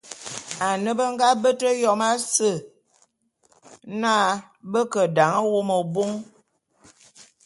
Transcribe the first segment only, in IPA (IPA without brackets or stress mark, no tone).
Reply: a